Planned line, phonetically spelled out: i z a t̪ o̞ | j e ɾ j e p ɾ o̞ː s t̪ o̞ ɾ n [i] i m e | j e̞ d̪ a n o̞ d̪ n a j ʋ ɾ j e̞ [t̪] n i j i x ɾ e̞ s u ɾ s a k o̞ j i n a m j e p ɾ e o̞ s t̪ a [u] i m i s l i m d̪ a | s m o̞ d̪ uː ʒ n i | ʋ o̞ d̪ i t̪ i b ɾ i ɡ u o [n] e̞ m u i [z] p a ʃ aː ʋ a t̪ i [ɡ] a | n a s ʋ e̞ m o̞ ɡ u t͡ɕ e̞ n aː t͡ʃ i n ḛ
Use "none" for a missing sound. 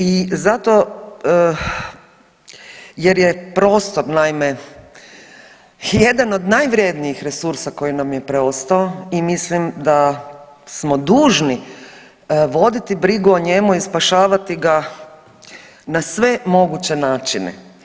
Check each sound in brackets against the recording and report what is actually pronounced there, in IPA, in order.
a, d̪, o, ɲ, s, ɡ

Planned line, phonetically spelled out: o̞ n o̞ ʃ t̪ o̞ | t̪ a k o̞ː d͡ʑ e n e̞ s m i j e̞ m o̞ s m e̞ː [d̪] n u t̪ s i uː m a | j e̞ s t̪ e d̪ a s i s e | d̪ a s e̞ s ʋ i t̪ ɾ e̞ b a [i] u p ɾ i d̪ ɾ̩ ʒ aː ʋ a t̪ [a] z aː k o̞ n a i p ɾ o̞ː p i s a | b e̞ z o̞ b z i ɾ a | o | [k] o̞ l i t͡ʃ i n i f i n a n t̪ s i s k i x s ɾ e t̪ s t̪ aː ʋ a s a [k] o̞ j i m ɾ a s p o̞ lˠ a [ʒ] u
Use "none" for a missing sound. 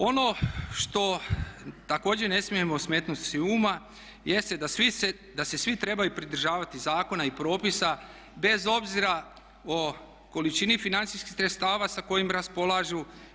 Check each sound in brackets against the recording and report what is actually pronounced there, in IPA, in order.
t̪, j, i, k, k, ʒ

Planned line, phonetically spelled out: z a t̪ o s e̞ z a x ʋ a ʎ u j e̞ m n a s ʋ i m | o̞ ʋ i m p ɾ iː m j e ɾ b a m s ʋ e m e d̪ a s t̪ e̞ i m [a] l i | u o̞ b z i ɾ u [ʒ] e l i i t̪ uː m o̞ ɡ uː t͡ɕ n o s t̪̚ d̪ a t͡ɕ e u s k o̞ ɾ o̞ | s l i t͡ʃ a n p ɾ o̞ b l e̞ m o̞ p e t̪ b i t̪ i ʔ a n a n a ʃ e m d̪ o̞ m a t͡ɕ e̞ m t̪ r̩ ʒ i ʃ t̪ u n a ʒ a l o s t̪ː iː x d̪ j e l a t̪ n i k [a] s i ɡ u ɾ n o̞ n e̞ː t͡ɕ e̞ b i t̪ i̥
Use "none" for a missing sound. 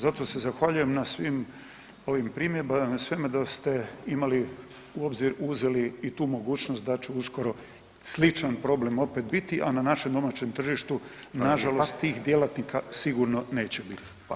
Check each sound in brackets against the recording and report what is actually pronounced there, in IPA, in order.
a, z, a

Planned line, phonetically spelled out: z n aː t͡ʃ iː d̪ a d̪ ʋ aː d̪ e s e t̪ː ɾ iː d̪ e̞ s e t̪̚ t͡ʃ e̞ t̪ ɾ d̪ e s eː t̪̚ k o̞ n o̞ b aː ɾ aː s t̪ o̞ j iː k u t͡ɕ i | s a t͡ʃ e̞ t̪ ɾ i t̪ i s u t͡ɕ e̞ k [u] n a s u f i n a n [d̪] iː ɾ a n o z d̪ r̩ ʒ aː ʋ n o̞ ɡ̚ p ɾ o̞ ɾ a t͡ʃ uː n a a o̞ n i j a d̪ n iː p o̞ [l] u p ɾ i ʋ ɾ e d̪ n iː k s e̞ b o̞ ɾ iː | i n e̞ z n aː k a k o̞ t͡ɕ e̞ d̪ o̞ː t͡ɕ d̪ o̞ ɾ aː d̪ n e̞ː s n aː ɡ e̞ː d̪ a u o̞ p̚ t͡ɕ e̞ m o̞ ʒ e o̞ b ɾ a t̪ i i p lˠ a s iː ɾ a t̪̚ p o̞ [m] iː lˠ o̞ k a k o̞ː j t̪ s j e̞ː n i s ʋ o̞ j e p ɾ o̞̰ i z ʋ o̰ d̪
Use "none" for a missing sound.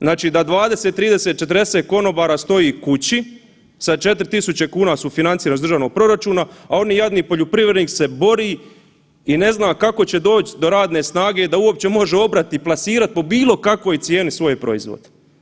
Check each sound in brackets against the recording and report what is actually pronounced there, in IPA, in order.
uː, t̪, ʎ, b

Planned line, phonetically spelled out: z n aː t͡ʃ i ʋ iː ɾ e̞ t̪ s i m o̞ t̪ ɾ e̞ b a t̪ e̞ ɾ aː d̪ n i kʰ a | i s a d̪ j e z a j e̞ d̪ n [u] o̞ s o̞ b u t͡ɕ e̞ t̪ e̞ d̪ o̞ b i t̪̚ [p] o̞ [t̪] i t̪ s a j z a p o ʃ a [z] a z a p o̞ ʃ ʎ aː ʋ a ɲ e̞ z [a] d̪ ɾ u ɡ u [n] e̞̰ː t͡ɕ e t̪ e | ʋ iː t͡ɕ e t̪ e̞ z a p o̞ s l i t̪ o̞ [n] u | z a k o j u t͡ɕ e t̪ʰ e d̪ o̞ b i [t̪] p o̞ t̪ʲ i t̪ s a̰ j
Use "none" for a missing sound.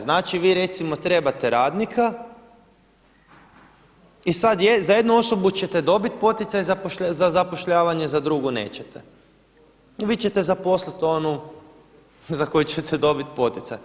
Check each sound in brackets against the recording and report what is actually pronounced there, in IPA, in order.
u, p, t̪, z, a, n, n, t̪

